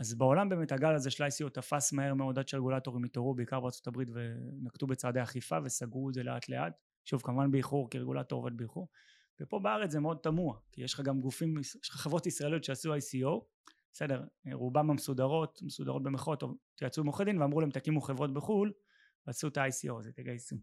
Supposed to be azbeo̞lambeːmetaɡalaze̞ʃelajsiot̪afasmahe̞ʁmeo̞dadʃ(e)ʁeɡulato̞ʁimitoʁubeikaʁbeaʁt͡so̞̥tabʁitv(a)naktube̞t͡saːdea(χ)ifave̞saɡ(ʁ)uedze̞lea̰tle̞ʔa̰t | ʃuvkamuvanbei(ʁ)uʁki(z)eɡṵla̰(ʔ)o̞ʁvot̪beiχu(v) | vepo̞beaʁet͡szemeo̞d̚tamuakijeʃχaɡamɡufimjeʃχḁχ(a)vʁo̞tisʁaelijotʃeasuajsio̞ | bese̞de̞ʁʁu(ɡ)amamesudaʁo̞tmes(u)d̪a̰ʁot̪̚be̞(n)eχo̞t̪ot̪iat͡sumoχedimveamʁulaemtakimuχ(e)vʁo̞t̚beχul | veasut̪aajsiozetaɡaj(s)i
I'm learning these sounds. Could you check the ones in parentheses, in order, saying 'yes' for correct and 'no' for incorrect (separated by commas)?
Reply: yes, no, yes, yes, no, no, no, no, no, no, yes, no, yes, yes